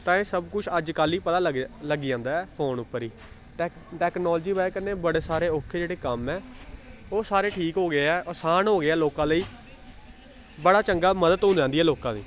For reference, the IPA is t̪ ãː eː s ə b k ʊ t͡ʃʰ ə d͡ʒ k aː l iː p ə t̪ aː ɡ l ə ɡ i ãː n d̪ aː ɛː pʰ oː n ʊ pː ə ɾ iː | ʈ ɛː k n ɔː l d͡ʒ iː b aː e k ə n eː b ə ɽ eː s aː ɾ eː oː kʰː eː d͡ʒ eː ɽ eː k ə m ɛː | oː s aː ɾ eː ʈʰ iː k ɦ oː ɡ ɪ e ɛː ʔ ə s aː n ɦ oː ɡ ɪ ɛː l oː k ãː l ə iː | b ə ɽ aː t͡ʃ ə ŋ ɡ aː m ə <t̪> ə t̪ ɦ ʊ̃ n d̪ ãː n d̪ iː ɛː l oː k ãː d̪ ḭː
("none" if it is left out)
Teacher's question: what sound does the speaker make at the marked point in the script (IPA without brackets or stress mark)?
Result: d̪